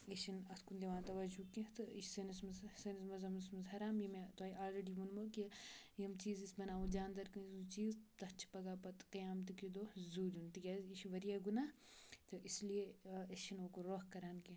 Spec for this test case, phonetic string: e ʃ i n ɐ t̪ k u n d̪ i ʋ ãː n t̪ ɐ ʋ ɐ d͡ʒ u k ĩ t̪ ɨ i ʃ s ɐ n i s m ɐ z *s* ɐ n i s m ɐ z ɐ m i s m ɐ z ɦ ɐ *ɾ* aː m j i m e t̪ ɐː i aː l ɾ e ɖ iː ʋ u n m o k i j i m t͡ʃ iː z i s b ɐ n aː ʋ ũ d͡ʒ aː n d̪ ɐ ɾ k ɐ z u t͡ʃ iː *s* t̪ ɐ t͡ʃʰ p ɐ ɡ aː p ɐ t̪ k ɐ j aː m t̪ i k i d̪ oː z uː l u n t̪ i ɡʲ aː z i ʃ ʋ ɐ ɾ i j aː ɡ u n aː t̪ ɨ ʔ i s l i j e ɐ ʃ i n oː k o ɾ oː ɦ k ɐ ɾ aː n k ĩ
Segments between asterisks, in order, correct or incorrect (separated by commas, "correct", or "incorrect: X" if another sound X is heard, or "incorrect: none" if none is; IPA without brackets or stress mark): correct, correct, incorrect: z